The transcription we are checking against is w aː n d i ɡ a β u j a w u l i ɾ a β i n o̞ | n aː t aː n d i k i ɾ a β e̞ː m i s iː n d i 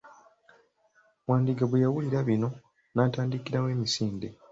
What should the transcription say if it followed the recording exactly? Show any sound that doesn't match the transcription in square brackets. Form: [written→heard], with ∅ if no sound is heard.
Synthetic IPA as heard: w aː n d i ɡ a β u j a w u l i ɾ a β i n o̞ | n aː t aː n d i k i ɾ a [β→w] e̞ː m i s iː n d [i→e]